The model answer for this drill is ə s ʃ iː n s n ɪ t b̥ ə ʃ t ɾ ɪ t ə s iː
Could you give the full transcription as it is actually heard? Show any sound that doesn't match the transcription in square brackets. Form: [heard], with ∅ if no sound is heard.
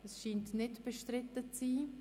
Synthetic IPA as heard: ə s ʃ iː n [t] n ɪ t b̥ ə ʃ t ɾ ɪ t ə [t͡s] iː